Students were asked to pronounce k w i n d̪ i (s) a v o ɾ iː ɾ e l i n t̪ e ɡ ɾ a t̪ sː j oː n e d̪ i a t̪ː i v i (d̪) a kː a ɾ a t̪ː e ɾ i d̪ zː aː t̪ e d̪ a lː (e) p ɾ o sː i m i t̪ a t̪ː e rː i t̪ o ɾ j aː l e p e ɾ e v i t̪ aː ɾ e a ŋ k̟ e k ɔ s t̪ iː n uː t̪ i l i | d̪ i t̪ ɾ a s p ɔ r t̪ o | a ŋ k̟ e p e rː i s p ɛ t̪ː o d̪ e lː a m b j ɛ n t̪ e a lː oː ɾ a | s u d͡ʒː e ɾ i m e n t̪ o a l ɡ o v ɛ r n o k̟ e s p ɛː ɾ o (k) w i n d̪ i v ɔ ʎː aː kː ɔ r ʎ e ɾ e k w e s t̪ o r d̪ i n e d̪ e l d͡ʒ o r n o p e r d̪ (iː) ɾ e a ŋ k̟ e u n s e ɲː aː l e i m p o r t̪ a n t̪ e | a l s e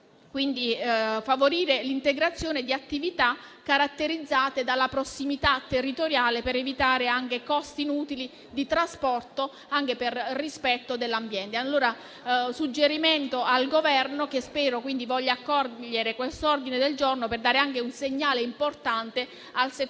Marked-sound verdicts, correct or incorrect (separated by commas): incorrect, incorrect, incorrect, correct, incorrect